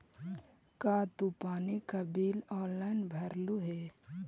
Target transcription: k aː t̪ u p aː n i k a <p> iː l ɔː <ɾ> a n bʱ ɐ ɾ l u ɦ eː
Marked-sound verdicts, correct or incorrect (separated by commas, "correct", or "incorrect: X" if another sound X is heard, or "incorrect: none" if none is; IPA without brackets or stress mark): incorrect: b, incorrect: l